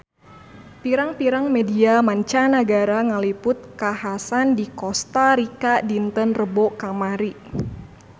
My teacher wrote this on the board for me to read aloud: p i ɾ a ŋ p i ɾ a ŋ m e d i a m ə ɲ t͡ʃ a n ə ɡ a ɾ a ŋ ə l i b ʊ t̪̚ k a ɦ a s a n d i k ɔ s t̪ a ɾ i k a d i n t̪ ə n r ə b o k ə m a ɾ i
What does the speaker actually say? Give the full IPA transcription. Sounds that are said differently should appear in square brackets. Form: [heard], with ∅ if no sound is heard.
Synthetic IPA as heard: p i ɾ a ŋ p i ɾ a ŋ m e d i a m [a] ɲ t͡ʃ a n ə ɡ a ɾ a ŋ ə l i [p] ʊ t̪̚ k a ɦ a s a n d i k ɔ s t̪ a ɾ i k a d i n t̪ ə n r ə b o k [a] m a ɾ i